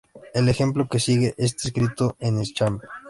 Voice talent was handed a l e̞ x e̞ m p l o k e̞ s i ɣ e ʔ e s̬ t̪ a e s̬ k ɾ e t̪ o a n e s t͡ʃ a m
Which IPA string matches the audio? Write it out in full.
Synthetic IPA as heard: e l e̞ x e̞ m p l o k e̞ s i ɣ e ʔ e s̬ t̪ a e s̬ k ɾ i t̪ o e n e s t͡ʃ a m